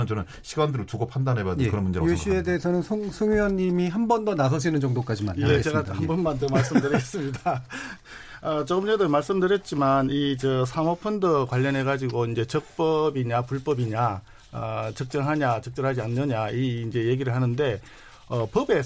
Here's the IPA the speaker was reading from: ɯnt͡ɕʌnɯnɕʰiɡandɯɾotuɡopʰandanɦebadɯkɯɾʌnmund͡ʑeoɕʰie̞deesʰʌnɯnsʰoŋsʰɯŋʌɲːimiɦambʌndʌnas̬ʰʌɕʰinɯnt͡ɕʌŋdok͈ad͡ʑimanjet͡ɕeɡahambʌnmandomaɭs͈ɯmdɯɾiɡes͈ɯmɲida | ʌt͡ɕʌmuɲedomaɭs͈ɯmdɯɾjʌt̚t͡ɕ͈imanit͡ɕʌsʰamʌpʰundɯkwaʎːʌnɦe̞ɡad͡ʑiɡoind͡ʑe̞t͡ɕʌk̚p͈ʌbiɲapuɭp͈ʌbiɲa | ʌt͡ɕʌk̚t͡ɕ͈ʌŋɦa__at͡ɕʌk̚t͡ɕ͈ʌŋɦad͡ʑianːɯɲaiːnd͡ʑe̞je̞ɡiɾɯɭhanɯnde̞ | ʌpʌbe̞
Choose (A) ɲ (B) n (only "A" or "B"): A